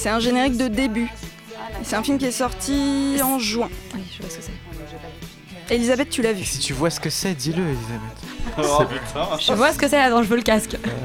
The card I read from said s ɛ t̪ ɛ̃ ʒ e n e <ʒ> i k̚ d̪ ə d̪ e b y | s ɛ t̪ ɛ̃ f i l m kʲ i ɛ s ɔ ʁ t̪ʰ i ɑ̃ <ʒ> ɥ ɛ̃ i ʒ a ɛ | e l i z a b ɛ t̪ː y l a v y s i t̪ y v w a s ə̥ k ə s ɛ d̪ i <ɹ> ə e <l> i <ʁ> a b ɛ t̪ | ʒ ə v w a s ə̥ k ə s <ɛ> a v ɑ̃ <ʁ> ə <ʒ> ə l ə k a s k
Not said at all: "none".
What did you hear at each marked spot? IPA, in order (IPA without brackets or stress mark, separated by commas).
ʁ, ʒ, l, l, z, ɛ, ʒ, v